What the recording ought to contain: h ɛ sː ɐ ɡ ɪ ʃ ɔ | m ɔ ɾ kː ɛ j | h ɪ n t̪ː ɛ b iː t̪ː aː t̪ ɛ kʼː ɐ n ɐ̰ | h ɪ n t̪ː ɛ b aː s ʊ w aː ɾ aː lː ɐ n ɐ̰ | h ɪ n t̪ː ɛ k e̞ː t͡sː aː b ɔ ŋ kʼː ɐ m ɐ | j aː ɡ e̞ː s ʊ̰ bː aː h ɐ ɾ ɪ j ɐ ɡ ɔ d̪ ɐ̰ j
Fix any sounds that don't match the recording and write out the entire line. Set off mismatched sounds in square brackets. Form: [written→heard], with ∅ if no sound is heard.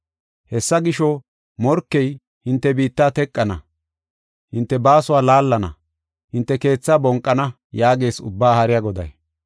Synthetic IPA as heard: h ɛ sː ɐ ɡ ɪ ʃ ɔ | m ɔ ɾ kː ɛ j | h ɪ n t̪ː ɛ b iː t̪ː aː t̪ ɛ kʼː ɐ n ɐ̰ | h ɪ n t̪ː ɛ b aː s ʊ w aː [ɾ→l] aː lː ɐ n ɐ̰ | h ɪ n t̪ː ɛ k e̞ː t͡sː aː b ɔ ŋ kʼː ɐ [m→n] ɐ | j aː ɡ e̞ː s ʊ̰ bː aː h ɐ ɾ ɪ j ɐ ɡ ɔ d̪ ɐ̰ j